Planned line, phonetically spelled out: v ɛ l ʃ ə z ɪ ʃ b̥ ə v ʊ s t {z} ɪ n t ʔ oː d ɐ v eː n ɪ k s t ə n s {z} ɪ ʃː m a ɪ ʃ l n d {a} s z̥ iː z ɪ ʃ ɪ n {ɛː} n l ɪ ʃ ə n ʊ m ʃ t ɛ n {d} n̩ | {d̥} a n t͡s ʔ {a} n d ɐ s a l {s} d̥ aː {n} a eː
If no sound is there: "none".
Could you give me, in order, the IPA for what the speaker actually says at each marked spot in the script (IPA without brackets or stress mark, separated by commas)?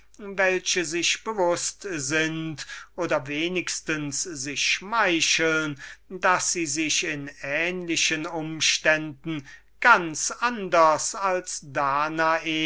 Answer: z, z, a, ɛː, d, ɡ̥, a, s, n